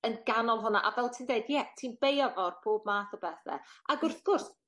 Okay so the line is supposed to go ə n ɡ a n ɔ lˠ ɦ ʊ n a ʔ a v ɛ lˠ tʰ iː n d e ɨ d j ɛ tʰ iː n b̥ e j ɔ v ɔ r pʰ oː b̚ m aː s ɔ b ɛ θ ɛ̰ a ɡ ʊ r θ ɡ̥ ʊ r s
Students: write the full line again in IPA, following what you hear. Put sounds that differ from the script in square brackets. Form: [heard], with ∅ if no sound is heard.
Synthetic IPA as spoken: ə n ɡ a n ɔ lˠ ɦ ʊ n a ʔ a v ɛ lˠ tʰ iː n d e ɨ d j ɛ tʰ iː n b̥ e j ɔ v ɔ r pʰ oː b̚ m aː [θ] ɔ b ɛ θ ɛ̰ a ɡ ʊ r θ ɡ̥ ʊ r s